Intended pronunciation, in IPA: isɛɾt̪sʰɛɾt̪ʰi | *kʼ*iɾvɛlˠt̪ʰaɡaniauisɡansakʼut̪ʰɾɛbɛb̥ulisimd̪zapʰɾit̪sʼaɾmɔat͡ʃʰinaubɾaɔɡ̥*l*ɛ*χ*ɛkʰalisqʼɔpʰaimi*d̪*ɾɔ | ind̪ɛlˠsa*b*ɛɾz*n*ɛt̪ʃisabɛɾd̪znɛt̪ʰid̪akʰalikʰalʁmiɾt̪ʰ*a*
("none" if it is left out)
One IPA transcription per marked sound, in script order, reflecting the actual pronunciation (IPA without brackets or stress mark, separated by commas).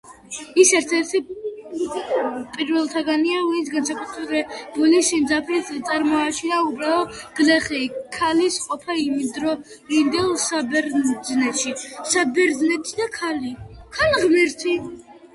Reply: pʼ, l, χ, d̪, b, n, i